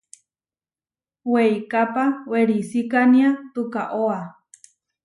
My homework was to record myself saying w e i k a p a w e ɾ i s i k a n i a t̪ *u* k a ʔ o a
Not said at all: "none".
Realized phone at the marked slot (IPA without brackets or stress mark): u